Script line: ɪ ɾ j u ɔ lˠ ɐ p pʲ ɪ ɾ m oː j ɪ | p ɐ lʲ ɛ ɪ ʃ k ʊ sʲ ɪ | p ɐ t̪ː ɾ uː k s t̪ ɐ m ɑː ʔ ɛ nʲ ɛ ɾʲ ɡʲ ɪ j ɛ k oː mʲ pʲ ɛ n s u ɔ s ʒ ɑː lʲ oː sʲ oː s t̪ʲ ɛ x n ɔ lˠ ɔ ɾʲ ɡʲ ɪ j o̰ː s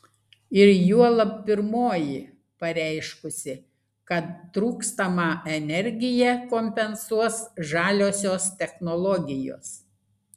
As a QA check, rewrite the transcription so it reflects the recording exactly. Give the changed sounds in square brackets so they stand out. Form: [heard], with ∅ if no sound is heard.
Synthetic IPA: ɪ ɾ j u ɔ lˠ ɐ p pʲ ɪ ɾ m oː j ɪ | p ɐ [ɾʲ] ɛ ɪ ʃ k ʊ sʲ ɪ | [k] ɐ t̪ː ɾ uː k s t̪ ɐ m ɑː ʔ ɛ nʲ ɛ ɾʲ ɡʲ ɪ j ɛ k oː mʲ pʲ ɛ n s u ɔ s ʒ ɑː lʲ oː sʲ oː s t̪ʲ ɛ x n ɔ lˠ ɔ [∅] ɡʲ ɪ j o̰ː s

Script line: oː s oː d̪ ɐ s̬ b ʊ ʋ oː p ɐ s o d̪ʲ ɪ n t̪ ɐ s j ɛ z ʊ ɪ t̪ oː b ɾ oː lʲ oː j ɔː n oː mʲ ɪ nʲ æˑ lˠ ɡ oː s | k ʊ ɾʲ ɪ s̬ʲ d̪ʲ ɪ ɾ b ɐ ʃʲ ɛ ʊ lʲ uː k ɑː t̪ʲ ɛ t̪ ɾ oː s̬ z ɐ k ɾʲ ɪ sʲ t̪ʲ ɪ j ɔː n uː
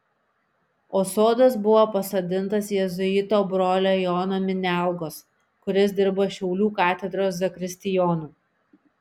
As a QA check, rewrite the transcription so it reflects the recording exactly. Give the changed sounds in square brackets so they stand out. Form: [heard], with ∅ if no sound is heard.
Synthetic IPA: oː s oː d̪ ɐ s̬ b ʊ ʋ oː p ɐ s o d̪ʲ ɪ n t̪ ɐ s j ɛ z ʊ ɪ t̪ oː b ɾ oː lʲ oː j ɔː n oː mʲ ɪ nʲ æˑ lˠ ɡ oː s | k ʊ ɾʲ ɪ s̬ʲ d̪ʲ ɪ ɾ b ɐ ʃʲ ɛ ʊ lʲ uː k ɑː t̪ʲ ɛ [d̪] ɾ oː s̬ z ɐ k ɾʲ ɪ sʲ t̪ʲ ɪ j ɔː n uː

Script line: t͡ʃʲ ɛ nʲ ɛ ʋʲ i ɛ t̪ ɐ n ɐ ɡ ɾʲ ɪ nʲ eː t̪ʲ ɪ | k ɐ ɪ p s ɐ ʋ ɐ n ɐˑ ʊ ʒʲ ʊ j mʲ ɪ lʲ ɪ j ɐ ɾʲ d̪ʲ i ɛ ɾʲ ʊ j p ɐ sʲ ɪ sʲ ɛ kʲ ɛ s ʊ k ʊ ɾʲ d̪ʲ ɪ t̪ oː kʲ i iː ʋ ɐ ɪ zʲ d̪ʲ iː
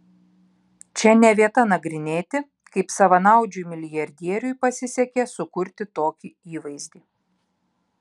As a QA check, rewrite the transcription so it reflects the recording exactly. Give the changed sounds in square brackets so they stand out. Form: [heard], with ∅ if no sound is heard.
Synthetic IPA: t͡ʃʲ ɛ nʲ ɛ ʋʲ i ɛ t̪ ɐ n ɐ ɡ ɾʲ ɪ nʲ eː t̪ʲ ɪ | k ɐ ɪ p s ɐ ʋ ɐ n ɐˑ ʊ [d͡ʒʲ] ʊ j mʲ ɪ lʲ ɪ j ɐ ɾʲ d̪ʲ i ɛ ɾʲ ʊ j p ɐ sʲ ɪ sʲ ɛ kʲ ɛ s ʊ k ʊ ɾʲ [t̪ʲ] ɪ t̪ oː kʲ i iː ʋ ɐ ɪ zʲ d̪ʲ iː

